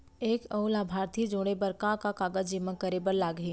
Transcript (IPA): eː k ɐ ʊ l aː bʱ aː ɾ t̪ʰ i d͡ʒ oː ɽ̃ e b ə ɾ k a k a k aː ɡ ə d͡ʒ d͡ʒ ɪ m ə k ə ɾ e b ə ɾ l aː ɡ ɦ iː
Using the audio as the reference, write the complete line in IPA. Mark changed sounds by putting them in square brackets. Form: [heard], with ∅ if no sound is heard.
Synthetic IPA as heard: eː k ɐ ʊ l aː bʱ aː ɾ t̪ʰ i d͡ʒ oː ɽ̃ e b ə ɾ k a k a k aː ɡ ə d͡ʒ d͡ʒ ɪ m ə k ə ɾ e b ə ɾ l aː ɡ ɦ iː